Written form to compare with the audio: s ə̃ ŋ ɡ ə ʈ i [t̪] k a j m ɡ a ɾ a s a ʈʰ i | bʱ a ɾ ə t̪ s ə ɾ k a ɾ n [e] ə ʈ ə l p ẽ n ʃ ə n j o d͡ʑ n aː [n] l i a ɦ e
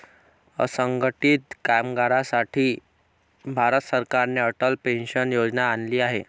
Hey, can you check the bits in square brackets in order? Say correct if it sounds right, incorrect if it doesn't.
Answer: correct, correct, correct

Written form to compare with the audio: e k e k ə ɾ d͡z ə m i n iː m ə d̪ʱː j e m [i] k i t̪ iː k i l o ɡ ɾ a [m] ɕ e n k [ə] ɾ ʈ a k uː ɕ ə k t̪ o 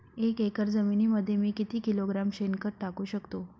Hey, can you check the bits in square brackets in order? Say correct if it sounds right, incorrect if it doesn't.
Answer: incorrect: iː, correct, correct

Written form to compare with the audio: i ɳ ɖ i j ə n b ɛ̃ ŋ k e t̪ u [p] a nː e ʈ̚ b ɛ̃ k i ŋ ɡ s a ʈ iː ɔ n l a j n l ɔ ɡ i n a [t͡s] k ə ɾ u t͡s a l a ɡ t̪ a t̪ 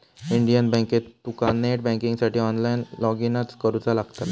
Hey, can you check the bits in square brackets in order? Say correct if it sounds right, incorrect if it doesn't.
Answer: incorrect: k, correct

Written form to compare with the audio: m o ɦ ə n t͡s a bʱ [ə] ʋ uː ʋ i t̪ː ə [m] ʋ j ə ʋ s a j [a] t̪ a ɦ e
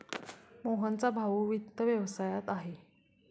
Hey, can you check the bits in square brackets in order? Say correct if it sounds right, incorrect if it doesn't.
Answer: incorrect: a, incorrect: none, correct

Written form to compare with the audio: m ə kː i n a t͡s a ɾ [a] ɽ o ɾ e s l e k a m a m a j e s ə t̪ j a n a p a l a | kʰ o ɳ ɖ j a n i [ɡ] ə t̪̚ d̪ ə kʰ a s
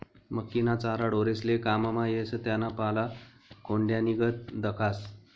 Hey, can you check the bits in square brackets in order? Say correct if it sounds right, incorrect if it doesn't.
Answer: correct, correct

